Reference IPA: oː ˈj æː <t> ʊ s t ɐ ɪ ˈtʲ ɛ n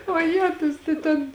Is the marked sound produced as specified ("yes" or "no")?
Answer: yes